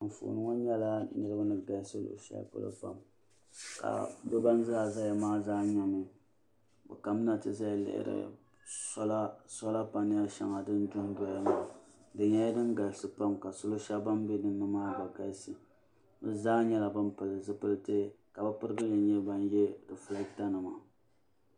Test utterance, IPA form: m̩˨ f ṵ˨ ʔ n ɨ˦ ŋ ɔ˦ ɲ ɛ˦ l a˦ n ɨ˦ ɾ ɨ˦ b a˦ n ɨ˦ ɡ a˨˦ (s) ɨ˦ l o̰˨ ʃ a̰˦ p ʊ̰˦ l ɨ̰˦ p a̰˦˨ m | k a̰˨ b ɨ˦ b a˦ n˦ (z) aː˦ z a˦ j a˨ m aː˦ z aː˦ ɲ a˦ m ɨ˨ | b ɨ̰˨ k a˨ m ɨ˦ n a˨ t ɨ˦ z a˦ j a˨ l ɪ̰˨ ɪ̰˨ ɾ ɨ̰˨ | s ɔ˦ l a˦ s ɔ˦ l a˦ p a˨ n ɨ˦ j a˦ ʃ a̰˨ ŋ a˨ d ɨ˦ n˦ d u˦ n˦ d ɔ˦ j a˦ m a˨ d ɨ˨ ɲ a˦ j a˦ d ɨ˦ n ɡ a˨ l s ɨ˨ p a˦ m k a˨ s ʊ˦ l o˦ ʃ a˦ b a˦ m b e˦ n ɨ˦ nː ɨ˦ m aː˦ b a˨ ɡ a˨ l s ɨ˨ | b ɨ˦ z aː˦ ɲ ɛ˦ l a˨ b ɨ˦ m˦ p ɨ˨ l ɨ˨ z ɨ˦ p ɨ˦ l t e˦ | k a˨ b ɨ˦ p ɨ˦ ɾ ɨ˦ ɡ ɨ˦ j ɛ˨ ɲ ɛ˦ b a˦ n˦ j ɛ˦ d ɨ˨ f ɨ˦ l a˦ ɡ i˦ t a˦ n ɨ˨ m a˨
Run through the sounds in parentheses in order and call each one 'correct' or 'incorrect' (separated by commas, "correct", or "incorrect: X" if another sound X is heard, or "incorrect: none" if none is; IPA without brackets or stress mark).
correct, correct